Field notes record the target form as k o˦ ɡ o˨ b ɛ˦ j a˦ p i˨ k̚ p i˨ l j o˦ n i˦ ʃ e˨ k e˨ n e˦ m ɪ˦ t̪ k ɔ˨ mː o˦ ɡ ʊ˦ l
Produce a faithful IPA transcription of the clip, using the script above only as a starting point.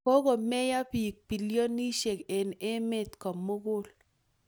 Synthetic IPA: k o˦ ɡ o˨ m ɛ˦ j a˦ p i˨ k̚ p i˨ l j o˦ n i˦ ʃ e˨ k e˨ n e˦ m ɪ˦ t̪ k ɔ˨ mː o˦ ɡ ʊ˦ l

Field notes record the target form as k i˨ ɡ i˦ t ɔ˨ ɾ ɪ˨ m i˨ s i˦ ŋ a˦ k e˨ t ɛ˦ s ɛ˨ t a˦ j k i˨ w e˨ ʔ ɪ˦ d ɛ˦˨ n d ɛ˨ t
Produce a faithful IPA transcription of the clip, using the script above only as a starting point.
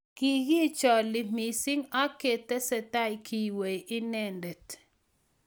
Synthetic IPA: k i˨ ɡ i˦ t͡ʃ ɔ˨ l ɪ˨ m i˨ s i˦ ŋ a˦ k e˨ t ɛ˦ s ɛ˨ t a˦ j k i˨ w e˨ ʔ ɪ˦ n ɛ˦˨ n d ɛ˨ t

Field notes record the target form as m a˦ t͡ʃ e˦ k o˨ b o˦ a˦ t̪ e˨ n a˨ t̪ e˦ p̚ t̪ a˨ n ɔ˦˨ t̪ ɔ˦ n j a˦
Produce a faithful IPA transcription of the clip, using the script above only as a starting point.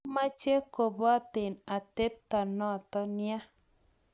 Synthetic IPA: m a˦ t͡ʃ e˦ k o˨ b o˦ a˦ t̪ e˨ n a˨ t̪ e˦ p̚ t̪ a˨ n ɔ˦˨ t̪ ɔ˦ n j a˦

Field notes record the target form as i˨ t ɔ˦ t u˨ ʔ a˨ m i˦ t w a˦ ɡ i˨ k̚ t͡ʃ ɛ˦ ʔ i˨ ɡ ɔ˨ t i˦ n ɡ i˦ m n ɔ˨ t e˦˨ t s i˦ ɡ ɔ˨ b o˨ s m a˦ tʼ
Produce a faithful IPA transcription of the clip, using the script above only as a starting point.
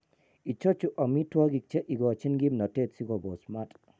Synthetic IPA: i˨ t͡ʃ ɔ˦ t͡ʃ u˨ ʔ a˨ m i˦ t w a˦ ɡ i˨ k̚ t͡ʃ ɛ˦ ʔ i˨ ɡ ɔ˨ t͡ʃ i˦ n ɡ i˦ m n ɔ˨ t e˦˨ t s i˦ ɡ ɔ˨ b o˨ s m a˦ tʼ

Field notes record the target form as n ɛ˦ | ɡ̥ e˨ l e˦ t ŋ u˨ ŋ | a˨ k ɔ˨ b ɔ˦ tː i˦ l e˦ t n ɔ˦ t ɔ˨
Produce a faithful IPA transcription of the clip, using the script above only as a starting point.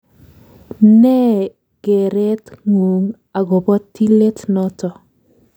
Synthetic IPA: n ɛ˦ | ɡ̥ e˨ ɾ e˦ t ŋ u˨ ŋ | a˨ ɡ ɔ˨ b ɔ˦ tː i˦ l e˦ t n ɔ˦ t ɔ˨

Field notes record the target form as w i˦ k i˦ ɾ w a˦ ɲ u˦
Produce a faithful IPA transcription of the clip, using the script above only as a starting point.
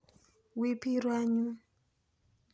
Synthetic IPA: w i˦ p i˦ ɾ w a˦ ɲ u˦

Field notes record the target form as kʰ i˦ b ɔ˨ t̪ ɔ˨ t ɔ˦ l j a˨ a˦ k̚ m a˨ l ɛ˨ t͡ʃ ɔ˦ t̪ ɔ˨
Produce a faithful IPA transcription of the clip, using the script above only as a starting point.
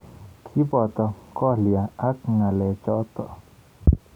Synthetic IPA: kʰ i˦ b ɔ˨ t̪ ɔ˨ k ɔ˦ l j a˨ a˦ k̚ ŋ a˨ l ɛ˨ t͡ʃ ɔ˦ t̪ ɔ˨

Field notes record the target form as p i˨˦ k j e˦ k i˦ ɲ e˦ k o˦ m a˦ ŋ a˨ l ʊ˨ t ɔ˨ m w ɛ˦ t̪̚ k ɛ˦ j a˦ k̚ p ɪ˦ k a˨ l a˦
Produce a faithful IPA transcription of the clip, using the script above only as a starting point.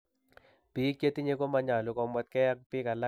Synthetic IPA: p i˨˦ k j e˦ t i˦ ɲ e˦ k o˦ m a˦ ɲ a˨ l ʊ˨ k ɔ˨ m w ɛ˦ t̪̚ k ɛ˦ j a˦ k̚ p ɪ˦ k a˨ l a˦

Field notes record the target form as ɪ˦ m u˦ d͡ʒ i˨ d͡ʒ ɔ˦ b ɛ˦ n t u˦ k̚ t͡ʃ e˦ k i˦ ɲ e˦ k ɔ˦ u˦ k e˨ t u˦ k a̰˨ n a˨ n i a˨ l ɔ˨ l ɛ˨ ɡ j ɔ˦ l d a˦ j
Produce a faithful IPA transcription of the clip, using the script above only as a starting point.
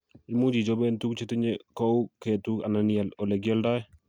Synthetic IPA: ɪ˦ m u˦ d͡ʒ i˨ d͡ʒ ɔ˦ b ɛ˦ n t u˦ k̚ t͡ʃ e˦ t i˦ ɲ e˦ k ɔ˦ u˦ k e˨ t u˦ k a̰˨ n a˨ n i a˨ l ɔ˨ l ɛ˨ ɡ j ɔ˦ l d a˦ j

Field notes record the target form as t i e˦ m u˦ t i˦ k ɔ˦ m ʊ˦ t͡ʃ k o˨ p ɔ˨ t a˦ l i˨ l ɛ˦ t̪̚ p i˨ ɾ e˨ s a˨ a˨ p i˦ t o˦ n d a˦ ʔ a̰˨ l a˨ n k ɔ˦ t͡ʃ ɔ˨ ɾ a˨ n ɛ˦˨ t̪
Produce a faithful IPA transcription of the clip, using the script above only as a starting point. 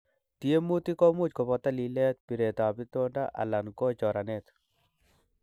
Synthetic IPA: t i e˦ m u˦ t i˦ k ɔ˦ m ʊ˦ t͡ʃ k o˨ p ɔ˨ t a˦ l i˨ l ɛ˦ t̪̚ p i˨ ɾ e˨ t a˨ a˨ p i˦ t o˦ n d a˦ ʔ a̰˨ l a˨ n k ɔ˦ t͡ʃ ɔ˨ ɾ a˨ n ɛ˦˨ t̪

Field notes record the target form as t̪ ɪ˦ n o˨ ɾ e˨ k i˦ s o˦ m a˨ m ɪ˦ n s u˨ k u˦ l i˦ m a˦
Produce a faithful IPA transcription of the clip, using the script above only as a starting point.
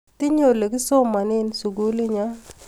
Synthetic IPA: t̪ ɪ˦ ɲ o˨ l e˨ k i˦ s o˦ m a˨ n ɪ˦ n s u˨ ɡ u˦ l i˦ ɲ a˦

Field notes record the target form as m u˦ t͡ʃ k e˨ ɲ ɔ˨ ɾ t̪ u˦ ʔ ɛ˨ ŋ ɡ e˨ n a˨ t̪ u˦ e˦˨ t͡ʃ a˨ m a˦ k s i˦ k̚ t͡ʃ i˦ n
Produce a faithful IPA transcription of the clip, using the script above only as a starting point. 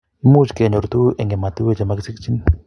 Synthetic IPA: m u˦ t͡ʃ k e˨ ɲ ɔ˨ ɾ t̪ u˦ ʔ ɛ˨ ŋ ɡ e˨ m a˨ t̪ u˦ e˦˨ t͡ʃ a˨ m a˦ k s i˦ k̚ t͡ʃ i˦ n

